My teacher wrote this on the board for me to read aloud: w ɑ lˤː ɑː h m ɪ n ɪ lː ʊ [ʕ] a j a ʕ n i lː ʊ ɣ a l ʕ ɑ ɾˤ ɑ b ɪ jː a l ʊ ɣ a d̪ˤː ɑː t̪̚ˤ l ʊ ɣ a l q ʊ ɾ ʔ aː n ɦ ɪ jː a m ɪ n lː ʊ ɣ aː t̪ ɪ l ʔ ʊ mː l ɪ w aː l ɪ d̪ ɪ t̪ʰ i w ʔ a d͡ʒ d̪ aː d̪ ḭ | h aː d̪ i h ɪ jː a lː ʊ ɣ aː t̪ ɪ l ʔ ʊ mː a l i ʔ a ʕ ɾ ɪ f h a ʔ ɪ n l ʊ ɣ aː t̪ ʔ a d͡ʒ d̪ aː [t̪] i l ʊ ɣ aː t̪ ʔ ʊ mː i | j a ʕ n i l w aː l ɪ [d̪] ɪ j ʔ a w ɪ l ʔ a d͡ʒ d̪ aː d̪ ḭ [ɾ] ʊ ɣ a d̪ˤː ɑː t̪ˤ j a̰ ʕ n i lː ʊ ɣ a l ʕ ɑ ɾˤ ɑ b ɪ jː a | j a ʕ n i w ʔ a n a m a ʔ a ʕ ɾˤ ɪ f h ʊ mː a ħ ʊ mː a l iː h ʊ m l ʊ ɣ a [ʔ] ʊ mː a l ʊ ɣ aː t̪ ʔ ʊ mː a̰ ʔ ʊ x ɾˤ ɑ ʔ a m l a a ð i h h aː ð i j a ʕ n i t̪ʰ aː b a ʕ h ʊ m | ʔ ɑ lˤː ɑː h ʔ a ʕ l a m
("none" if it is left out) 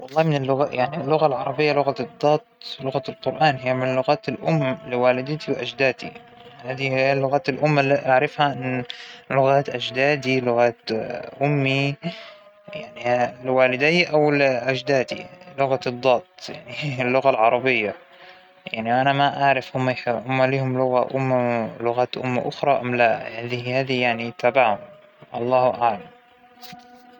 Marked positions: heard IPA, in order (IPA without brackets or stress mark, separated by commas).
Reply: ɣ, d̪, d̪, l, ʔ